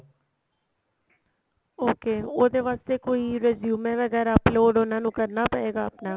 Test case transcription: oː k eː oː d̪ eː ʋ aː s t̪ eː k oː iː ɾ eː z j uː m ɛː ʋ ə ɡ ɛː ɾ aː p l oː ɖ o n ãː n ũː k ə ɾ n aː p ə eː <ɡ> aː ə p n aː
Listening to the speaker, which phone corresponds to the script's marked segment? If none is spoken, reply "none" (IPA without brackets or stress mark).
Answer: ɡ